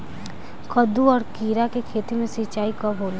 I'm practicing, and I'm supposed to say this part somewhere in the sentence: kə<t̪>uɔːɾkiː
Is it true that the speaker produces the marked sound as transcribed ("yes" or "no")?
no